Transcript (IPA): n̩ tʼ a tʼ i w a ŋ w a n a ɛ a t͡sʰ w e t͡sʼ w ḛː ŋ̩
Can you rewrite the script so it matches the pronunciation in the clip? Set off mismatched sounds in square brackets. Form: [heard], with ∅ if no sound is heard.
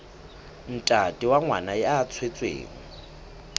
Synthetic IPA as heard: n̩ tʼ a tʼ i w a ŋ w a n a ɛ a t͡sʰ w e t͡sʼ w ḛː ŋ̩